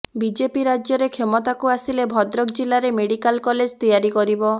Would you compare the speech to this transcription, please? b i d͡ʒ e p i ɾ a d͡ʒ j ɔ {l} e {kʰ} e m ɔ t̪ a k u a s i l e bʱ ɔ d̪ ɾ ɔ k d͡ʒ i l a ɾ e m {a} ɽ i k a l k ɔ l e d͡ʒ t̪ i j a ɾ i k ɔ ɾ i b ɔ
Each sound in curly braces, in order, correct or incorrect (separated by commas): incorrect, correct, incorrect